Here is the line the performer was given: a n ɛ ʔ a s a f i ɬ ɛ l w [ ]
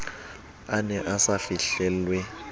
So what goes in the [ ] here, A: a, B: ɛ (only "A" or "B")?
B